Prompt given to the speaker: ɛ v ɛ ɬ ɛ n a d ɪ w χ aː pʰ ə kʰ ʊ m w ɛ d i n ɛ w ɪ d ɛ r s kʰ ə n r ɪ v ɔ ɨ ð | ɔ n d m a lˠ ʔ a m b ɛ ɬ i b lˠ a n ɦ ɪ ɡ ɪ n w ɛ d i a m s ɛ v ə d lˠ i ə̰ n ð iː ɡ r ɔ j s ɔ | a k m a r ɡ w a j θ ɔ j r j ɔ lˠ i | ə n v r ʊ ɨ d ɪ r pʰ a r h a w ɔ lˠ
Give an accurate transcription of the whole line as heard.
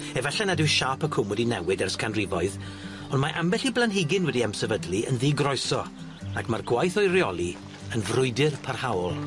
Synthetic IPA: ɛ v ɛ ɬ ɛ n a d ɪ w ʃ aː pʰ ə kʰ ʊ m w ɛ d i n ɛ w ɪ d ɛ r s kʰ a n r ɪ v ɔ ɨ ð | ɔ n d m a ʔ a m b ɛ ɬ i b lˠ a n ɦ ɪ ɡ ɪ n w ɛ d i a m s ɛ v ə d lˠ i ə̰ n ð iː ɡ r ɔ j s ɔ | a k m a r ɡ w a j θ ɔ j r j ɔ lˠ i | ə n v r ʊ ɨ d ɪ r pʰ a r h a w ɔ lˠ